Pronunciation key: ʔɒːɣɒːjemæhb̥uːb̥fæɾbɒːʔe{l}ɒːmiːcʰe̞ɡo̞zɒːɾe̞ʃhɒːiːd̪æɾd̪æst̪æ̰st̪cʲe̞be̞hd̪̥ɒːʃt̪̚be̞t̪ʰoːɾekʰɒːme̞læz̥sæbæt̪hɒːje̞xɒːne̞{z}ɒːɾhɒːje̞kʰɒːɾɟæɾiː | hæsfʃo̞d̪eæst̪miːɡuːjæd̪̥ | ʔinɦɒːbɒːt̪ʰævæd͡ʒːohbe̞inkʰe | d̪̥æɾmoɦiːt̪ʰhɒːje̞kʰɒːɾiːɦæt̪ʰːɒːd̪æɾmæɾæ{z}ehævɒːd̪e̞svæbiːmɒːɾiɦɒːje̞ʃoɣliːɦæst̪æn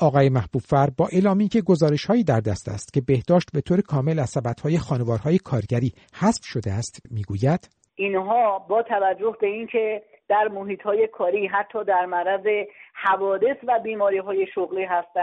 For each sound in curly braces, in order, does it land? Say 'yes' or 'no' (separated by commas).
yes, no, yes